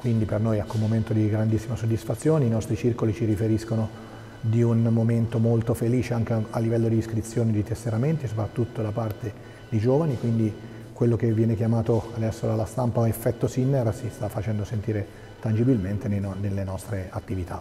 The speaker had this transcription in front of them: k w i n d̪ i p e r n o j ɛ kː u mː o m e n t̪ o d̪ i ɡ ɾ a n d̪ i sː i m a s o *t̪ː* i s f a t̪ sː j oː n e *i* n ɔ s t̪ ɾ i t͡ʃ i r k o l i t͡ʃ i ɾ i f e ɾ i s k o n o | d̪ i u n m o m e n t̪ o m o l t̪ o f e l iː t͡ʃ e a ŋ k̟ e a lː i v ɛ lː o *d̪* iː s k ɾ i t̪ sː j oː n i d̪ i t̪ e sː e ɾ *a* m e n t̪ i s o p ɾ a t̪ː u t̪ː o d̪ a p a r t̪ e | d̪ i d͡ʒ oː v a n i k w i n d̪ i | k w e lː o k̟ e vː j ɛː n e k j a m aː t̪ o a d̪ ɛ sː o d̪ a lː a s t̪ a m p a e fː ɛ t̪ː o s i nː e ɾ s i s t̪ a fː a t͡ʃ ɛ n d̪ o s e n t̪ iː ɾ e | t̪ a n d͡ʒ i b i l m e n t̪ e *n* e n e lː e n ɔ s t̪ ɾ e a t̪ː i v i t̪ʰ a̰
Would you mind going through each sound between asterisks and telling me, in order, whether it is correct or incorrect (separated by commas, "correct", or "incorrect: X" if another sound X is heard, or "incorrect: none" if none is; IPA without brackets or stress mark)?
incorrect: d̪ː, correct, correct, correct, correct